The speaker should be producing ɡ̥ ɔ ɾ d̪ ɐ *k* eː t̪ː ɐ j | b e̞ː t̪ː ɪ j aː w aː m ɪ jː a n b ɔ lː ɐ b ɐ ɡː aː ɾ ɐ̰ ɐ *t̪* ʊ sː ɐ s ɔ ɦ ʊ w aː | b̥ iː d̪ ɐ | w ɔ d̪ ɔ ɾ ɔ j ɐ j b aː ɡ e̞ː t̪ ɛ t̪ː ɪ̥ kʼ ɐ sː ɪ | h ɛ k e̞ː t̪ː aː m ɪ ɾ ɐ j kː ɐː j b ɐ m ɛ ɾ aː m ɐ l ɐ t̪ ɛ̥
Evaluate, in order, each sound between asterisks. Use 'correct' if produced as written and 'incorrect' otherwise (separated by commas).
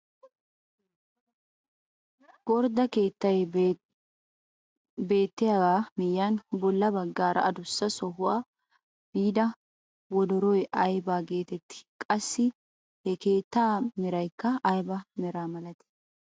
correct, incorrect